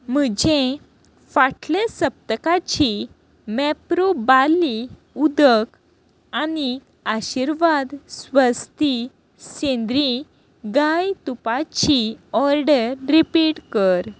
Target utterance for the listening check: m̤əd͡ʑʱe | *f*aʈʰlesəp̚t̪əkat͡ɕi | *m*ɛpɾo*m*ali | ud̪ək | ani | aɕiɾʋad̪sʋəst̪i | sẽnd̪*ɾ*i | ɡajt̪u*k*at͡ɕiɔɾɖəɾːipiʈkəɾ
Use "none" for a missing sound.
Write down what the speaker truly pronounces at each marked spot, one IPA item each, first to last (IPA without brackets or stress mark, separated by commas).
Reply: f, m, b, ɾ, p